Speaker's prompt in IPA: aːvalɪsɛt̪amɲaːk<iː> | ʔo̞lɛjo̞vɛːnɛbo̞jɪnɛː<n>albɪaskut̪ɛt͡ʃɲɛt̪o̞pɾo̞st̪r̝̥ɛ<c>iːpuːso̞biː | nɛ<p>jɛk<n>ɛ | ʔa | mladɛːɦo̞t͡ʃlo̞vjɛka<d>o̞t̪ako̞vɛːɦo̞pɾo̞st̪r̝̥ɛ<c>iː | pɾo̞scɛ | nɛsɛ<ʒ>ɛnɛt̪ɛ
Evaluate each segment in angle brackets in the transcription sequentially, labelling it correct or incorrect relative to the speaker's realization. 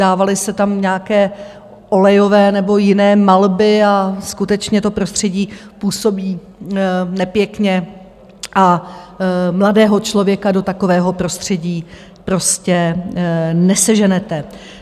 incorrect: ɛː, incorrect: m, incorrect: ɟ, correct, incorrect: ɲ, correct, incorrect: ɟ, correct

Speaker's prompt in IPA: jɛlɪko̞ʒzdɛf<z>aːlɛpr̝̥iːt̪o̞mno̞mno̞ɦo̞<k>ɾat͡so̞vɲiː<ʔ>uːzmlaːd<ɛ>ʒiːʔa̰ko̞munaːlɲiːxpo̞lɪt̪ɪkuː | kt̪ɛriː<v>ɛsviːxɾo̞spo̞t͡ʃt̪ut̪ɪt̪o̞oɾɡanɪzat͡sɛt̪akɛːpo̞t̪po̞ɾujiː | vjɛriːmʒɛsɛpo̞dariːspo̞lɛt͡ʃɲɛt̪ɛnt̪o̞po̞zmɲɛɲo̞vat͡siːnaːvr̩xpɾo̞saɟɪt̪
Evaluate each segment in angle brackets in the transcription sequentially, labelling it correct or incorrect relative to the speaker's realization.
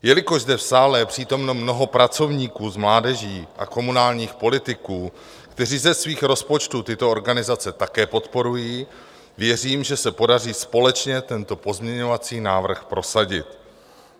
incorrect: s, incorrect: p, incorrect: k, correct, incorrect: z

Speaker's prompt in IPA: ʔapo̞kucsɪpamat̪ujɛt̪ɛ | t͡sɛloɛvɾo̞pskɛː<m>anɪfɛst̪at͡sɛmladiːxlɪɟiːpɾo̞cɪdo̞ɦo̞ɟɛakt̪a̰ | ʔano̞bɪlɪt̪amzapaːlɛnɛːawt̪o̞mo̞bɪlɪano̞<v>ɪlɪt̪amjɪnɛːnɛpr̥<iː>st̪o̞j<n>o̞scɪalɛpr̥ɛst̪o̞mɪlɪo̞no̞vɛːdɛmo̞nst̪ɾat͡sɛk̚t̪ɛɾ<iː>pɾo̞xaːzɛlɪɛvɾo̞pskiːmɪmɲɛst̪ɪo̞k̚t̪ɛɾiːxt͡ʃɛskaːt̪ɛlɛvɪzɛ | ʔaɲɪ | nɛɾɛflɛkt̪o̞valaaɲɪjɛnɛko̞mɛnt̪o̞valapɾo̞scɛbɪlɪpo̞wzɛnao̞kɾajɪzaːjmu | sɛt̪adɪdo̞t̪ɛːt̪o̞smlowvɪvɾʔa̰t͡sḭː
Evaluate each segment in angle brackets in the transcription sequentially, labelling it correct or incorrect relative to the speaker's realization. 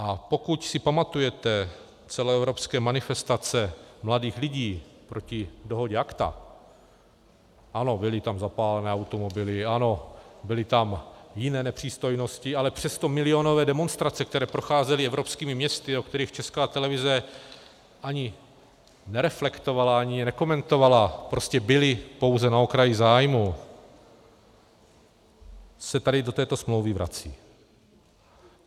correct, incorrect: b, correct, correct, incorrect: ɛː

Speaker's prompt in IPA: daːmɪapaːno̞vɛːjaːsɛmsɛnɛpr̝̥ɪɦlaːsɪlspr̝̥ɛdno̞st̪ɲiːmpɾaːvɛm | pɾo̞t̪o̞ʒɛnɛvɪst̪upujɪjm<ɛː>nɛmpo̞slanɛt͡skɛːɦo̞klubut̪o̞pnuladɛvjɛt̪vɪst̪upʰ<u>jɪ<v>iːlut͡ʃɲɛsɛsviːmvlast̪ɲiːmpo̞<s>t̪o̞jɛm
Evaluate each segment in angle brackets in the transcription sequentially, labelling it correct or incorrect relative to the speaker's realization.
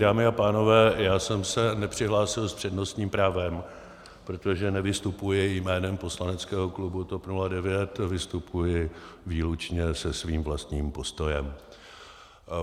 correct, correct, correct, correct

